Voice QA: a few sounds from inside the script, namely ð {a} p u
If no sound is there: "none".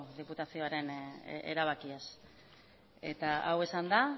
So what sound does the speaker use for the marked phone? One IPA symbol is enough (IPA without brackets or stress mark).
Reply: i